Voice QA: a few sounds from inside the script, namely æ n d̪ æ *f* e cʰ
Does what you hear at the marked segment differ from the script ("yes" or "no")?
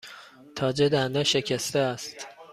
yes